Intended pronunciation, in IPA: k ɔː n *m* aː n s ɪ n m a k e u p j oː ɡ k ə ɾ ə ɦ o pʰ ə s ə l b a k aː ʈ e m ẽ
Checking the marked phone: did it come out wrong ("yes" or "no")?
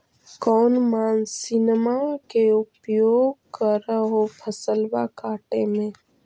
no